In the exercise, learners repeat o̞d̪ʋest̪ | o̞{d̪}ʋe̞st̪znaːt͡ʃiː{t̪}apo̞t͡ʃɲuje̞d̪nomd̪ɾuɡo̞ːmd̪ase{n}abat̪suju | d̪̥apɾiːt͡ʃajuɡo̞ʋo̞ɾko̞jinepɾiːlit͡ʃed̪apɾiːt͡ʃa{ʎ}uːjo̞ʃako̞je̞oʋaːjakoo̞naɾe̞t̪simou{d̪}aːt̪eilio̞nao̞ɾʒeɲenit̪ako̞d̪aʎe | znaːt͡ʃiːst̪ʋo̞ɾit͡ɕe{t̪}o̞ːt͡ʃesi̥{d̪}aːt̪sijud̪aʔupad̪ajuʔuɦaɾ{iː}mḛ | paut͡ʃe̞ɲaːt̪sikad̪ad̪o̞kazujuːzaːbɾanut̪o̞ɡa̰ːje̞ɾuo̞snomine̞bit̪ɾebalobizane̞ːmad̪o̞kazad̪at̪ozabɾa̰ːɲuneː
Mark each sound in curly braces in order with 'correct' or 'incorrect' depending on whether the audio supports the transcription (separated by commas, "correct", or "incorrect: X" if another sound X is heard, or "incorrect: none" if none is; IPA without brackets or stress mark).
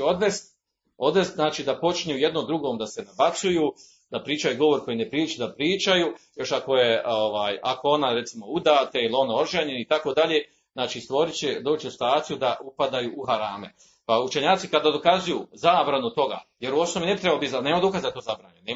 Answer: correct, incorrect: d̪, correct, incorrect: j, correct, incorrect: d̪, incorrect: t̪, incorrect: aː